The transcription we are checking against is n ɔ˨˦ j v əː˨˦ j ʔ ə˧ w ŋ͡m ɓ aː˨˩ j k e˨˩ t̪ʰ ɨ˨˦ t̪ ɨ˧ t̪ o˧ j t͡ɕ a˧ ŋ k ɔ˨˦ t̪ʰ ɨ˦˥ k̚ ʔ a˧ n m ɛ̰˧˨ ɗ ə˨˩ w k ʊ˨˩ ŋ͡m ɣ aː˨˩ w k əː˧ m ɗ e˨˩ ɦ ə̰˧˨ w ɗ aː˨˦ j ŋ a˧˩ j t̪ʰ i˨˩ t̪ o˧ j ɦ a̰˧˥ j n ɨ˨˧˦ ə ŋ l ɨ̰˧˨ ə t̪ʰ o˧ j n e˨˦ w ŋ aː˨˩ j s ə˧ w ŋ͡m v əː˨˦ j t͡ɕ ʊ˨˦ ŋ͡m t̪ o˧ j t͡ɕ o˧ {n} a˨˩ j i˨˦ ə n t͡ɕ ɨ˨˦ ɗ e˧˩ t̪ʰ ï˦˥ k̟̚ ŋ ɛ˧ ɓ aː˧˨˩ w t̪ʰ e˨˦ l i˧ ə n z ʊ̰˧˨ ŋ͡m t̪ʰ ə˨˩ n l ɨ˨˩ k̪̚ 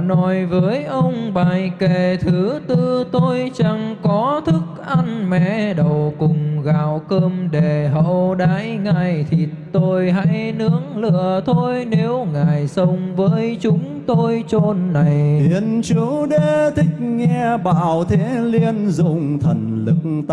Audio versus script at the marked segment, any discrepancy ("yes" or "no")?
yes